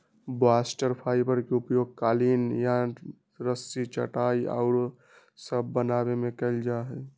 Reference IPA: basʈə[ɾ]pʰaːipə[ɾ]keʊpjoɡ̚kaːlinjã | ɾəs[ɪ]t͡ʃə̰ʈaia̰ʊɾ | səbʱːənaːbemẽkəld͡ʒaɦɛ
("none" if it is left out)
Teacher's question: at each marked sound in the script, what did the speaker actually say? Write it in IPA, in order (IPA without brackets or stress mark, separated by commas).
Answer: ɾ, ɾ, i